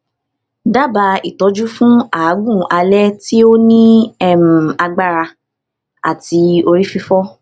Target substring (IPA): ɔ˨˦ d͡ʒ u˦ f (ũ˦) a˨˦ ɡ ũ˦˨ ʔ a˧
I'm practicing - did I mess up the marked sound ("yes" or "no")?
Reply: no